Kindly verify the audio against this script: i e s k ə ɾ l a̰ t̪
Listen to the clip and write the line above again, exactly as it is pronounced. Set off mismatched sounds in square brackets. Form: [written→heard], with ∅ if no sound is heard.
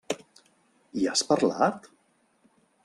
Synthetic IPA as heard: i [e→a] s [k→p] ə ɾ l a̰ t̪